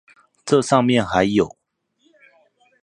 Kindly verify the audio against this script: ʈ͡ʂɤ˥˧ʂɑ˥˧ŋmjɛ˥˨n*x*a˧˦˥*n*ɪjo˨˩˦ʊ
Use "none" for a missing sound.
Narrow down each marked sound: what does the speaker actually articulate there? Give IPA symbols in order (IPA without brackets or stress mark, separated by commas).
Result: x, none